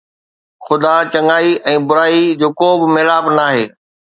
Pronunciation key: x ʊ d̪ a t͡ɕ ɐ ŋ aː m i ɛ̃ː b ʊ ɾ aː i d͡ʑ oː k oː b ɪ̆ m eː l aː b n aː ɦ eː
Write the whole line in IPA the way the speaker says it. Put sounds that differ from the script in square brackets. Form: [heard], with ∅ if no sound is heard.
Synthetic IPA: x ʊ d̪ a t͡ɕ ɐ ŋ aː [∅] i ɛ̃ː b ʊ ɾ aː i d͡ʑ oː k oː b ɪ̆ m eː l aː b n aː ɦ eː